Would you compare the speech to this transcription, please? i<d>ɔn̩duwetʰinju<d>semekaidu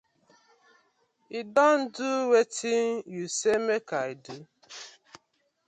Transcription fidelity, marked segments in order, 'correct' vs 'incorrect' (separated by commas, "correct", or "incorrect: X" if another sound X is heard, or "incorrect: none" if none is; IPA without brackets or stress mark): correct, incorrect: none